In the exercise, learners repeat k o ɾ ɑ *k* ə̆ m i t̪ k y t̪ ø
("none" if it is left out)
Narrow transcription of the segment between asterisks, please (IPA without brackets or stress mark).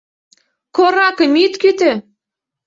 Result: k